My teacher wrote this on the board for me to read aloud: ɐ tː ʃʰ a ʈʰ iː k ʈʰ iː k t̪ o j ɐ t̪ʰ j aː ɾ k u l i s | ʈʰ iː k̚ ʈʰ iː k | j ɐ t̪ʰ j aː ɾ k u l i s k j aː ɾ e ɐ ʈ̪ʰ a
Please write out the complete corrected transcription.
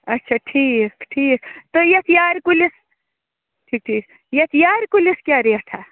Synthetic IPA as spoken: ɐ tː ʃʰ a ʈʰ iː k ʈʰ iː k t̪ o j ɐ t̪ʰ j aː ɾ k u l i s | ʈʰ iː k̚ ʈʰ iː k | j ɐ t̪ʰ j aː ɾ k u l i s k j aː ɾ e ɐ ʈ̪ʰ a